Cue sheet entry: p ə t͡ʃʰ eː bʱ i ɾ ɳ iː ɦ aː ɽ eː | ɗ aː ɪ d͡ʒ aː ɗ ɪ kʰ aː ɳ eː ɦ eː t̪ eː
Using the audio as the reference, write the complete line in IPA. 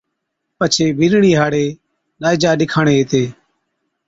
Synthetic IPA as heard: p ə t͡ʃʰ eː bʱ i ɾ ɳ iː ɦ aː ɽ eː | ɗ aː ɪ d͡ʒ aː ɗ ɪ kʰ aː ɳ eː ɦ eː t̪ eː